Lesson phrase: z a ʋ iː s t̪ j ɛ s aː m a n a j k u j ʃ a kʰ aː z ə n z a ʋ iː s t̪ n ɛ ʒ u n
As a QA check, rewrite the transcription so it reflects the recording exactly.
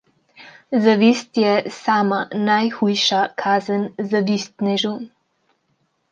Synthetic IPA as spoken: z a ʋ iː s t̪ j ɛ s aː m a n a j x u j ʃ a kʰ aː z ə n z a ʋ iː s t̪ n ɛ ʒ u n